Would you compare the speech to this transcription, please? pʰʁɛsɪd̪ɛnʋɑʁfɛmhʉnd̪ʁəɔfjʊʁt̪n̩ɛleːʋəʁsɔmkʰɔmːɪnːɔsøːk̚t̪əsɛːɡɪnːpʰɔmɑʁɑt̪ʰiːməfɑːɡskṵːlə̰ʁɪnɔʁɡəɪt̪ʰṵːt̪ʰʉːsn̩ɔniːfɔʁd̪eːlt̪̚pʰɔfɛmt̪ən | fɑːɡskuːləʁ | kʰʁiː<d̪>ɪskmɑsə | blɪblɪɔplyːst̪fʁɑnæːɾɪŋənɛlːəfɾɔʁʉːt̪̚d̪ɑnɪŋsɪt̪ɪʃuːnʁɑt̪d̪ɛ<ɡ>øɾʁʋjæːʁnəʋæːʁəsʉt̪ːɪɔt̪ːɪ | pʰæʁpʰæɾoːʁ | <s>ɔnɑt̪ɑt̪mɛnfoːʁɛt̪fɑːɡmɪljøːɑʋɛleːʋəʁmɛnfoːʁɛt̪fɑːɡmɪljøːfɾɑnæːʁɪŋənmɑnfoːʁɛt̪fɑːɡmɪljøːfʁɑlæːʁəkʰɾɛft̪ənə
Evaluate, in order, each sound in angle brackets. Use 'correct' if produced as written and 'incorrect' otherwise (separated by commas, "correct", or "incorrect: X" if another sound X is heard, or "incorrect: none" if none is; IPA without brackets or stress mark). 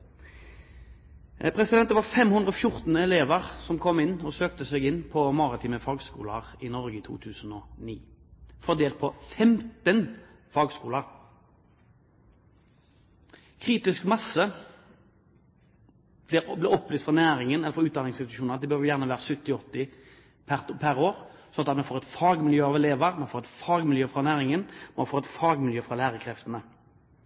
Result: incorrect: t̪, incorrect: b, correct